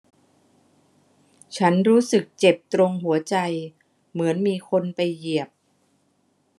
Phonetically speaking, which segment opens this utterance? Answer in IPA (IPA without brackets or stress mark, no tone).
t͡ɕʰ